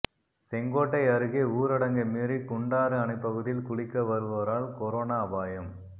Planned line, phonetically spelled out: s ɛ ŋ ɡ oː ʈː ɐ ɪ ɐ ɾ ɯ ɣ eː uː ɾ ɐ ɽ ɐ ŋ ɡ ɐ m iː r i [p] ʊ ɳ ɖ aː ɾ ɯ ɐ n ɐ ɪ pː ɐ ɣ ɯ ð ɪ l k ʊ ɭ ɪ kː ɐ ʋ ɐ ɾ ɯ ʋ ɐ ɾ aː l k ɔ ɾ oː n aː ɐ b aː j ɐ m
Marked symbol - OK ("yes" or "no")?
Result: no